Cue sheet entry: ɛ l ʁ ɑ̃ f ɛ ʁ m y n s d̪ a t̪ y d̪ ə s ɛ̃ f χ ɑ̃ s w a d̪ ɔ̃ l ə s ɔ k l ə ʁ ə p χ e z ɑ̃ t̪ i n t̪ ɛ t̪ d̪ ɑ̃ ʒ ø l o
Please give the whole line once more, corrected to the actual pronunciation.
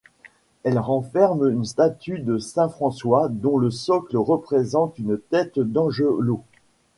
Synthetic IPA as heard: ɛ l ʁ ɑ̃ f ɛ ʁ m y n s t̪ a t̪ y d̪ ə s ɛ̃ f χ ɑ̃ s w a d̪ ɔ̃ l ə s ɔ k l ə ʁ ə p χ e z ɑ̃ t̪ y n t̪ ɛ t̪ d̪ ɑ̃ ʒ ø l o